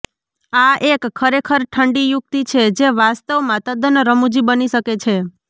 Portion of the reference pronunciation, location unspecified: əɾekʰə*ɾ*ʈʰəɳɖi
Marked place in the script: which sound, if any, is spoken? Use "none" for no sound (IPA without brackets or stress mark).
ɾ